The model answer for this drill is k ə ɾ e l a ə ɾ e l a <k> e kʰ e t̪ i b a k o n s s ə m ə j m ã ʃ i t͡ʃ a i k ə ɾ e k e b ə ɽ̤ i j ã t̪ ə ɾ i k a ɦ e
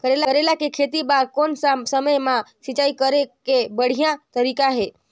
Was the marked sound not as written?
no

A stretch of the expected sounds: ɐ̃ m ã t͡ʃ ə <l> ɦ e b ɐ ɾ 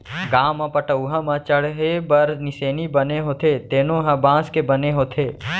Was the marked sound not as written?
yes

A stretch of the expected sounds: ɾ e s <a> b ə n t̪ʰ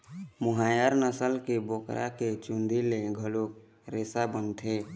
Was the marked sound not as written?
no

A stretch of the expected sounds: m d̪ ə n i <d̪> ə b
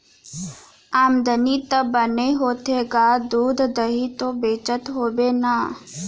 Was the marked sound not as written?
yes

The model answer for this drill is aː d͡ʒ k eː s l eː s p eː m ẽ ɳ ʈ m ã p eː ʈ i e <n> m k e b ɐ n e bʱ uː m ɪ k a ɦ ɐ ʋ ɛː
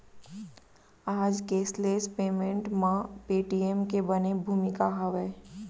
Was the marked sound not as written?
yes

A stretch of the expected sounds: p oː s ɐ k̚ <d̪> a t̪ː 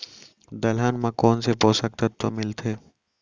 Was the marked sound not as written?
yes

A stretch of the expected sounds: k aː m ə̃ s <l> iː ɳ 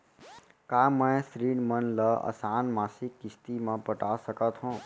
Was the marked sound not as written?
yes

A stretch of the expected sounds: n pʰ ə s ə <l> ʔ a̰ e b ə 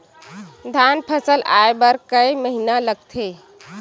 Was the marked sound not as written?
no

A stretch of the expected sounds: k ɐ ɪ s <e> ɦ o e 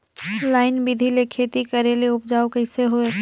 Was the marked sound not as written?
no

